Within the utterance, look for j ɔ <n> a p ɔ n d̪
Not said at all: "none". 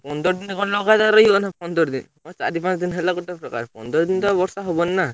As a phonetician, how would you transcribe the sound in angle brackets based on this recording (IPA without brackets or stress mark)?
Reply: n